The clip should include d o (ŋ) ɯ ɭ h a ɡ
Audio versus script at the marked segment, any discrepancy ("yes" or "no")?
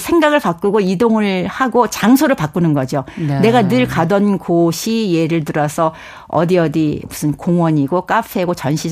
no